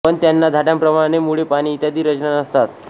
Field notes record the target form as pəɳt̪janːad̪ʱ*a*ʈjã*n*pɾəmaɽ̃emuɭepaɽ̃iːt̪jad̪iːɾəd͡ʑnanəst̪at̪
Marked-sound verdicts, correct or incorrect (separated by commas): correct, incorrect